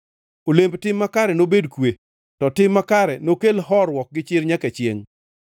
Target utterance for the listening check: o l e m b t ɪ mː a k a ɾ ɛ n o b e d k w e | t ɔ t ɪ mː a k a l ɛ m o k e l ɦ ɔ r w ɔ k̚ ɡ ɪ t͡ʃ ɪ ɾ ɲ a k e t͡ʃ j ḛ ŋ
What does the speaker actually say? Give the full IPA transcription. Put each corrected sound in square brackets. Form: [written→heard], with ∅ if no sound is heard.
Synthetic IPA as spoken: o l e m b t ɪ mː a k a ɾ ɛ n o b e d k w e | t ɔ t ɪ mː a k a [l→ɾ] ɛ [m→n] o k e l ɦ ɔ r w ɔ k̚ ɡ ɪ t͡ʃ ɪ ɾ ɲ a k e t͡ʃ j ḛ ŋ